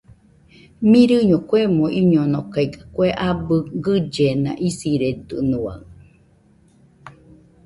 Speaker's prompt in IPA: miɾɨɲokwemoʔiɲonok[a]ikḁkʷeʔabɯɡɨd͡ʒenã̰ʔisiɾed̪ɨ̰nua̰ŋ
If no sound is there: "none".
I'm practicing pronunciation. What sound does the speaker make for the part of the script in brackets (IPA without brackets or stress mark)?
a